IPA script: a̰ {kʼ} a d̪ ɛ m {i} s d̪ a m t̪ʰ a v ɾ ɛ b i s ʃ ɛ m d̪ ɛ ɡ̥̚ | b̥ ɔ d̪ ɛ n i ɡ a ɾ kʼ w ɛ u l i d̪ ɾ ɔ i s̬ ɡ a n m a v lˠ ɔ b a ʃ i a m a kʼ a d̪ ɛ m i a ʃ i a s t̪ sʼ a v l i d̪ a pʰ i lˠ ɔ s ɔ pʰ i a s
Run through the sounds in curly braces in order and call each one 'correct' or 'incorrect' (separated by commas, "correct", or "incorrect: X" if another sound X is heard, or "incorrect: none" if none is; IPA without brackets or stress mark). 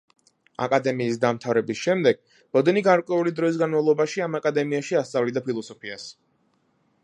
correct, incorrect: iː